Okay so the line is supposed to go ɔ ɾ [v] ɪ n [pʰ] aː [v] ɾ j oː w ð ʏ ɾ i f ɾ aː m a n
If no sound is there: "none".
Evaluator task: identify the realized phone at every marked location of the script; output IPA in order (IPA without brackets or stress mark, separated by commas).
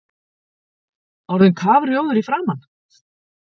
ð, kʰ, v